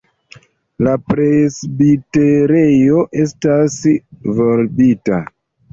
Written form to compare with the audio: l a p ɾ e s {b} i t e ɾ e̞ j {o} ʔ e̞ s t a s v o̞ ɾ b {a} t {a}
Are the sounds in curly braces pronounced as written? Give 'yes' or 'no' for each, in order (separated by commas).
yes, yes, no, yes